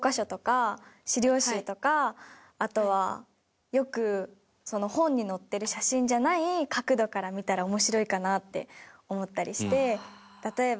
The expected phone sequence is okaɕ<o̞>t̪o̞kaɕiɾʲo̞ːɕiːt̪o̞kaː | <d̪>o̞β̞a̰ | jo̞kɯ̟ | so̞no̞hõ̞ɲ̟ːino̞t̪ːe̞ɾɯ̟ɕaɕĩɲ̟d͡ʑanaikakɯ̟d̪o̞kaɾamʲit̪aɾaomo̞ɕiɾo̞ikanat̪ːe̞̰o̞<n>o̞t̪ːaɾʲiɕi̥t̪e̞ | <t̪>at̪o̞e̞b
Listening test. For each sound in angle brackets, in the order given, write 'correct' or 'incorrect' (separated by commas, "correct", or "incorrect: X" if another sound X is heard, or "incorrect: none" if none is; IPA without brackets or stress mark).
correct, incorrect: t̪, incorrect: m, correct